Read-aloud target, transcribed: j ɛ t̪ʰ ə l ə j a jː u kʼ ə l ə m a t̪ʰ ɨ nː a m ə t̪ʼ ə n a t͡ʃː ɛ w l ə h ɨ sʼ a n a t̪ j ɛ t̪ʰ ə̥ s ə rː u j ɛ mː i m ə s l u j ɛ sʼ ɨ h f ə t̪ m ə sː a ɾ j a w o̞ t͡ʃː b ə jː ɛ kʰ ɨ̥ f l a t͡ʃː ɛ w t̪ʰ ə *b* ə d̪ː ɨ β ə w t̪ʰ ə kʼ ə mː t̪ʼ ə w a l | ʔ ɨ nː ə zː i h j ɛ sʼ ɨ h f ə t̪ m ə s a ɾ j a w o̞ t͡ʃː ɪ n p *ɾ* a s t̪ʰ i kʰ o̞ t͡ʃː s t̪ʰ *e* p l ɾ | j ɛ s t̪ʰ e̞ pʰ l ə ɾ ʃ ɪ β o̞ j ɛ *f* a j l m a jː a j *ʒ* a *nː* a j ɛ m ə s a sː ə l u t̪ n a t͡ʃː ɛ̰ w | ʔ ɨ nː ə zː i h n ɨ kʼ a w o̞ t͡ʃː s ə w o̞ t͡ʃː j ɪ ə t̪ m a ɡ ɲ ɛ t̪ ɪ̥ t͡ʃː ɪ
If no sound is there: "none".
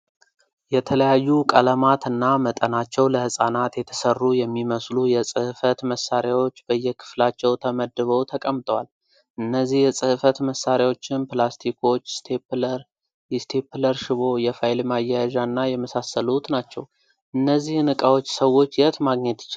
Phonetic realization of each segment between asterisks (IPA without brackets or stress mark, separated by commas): m, l, e, f, ʒ, nː